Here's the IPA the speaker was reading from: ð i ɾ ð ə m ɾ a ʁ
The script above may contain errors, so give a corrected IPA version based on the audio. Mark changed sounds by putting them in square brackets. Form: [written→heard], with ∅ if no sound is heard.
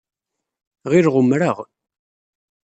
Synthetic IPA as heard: [ð→ʁ] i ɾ [ð→ʁ] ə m ɾ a ʁ